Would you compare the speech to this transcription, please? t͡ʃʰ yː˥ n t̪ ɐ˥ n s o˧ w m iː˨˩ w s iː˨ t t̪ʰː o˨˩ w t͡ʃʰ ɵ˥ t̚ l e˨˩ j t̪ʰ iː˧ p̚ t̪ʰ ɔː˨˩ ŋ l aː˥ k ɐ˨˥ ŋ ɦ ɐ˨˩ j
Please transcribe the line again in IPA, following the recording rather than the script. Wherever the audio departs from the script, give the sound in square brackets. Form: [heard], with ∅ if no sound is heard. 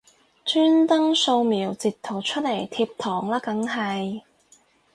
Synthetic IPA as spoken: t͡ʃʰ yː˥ n t̪ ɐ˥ [ŋ] s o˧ w m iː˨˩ w [t͡s] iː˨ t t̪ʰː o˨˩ w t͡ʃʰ ɵ˥ t̚ l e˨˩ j t̪ʰ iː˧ p̚ t̪ʰ ɔː˨˩ ŋ l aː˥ k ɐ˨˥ ŋ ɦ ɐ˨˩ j